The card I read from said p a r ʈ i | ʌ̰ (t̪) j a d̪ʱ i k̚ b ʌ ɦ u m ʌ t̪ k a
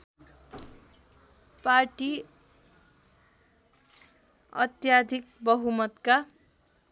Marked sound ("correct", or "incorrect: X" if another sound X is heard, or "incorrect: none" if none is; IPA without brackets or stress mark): correct